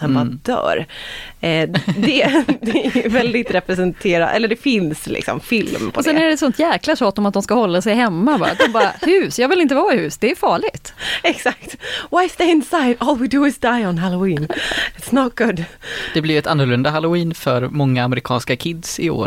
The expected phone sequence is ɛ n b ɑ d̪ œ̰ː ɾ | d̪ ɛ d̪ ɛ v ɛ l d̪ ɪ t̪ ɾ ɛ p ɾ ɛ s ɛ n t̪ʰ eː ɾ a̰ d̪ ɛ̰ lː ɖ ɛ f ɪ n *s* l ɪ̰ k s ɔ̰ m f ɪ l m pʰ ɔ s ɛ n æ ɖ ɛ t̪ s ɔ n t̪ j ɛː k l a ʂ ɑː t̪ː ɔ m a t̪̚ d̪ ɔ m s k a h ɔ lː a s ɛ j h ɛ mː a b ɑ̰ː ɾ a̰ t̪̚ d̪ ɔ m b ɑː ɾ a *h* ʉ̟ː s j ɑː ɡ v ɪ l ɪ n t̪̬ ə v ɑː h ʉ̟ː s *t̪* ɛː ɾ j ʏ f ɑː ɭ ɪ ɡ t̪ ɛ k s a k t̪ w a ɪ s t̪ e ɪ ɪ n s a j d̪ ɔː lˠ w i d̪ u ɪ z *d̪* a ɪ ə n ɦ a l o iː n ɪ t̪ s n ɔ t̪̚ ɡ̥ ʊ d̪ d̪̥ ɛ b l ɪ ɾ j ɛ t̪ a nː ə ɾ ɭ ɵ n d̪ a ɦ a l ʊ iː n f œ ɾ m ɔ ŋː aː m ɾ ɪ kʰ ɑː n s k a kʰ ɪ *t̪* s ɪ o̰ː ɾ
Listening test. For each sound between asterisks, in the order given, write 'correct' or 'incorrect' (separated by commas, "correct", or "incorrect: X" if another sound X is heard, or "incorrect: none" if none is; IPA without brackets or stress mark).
correct, correct, incorrect: d̪, correct, incorrect: d̪